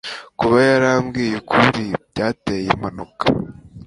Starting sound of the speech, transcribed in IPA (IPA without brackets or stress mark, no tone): k